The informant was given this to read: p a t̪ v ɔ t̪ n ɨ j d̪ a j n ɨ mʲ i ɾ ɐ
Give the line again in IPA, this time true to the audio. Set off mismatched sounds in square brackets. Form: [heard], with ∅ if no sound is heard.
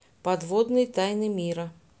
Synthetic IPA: p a [d̪] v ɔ [d̪] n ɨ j [t̪] a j n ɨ mʲ i ɾ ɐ